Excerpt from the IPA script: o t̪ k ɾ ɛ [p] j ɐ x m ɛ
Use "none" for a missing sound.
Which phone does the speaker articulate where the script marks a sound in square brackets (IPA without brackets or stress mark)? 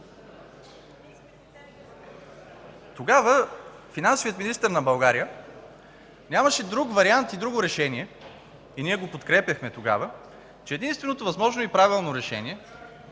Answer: p